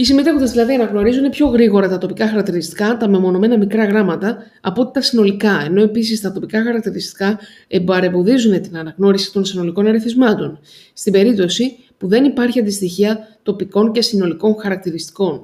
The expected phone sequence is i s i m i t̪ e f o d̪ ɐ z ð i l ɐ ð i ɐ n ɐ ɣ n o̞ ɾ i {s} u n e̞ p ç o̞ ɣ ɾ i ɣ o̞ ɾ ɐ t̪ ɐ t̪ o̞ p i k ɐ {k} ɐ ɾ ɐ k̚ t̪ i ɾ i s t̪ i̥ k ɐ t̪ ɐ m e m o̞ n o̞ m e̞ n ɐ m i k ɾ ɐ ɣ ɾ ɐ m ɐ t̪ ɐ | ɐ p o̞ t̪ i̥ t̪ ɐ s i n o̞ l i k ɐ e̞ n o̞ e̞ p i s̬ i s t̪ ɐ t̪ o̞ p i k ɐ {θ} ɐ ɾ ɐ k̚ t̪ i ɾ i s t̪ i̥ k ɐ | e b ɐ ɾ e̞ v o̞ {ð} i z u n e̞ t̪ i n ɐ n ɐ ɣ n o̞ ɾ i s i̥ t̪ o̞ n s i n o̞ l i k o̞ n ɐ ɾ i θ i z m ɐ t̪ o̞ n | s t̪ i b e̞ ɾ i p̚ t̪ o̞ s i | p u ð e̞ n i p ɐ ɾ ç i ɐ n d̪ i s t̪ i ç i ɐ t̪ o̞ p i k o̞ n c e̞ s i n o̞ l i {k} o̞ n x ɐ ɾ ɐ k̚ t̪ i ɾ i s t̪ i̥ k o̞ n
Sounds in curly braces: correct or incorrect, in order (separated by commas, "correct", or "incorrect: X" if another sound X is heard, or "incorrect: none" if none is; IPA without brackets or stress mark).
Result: incorrect: z, incorrect: x, incorrect: x, correct, correct